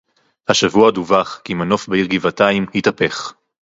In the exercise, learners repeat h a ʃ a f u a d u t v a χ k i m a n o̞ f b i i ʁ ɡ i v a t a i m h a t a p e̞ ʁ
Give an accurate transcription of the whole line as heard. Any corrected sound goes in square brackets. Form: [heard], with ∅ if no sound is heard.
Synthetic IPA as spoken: h a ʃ a [v] u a d u [∅] v a χ k i m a n o̞ f b [e] i ʁ ɡ i v a t a i m h [i] t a p e̞ [χ]